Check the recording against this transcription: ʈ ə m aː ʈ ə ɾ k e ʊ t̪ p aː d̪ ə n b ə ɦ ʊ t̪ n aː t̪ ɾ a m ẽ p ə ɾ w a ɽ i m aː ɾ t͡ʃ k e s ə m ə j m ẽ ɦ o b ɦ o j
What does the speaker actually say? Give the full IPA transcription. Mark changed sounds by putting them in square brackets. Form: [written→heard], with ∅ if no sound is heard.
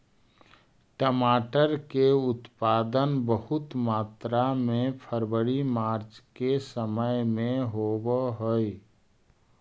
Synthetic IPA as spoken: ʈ ə m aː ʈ ə ɾ k e ʊ t̪ p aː d̪ ə n b ə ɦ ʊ t̪ [n→m] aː t̪ ɾ a m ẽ [p→pʰ] ə ɾ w [a→ə] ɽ i m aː ɾ t͡ʃ k e s ə m ə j m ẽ ɦ o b ɦ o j